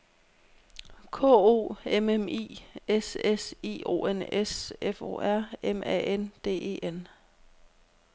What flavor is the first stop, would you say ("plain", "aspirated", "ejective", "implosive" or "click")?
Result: aspirated